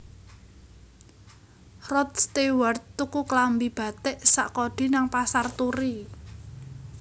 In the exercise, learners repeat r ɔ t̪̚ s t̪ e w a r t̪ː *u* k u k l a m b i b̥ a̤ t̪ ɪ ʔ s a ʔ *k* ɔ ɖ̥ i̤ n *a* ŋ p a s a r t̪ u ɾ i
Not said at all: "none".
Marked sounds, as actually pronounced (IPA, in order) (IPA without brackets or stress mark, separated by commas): u, k, a